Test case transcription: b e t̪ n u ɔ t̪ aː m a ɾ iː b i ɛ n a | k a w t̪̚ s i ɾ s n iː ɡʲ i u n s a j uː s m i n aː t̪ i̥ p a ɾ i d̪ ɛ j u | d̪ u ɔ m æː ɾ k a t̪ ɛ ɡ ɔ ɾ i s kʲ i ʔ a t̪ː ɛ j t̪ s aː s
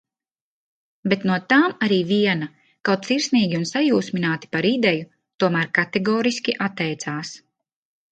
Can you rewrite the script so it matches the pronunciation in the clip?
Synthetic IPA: b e t̪ n u ɔ t̪ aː m a ɾ iː v i ɛ n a | k a w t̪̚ s i ɾ s n iː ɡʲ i u n s a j uː s m i n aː t̪ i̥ p a ɾ i d̪ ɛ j u | t̪ u ɔ m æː ɾ k a t̪ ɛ ɡ ɔː ɾ i s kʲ i ʔ a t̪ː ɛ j t̪ s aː s